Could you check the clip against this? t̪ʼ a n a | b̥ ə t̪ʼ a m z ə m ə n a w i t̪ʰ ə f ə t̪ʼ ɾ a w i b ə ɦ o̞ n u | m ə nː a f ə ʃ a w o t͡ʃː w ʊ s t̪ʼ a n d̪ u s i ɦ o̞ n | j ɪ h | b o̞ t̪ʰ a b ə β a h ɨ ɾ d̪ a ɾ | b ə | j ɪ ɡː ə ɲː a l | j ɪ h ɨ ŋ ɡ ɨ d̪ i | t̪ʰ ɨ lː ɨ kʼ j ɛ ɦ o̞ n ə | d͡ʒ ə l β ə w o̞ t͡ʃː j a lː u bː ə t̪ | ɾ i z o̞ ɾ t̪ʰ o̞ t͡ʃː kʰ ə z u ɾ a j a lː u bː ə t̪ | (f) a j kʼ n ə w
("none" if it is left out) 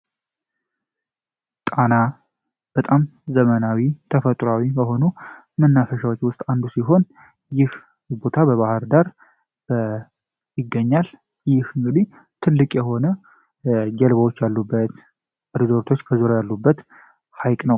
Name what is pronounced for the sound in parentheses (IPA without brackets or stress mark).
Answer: h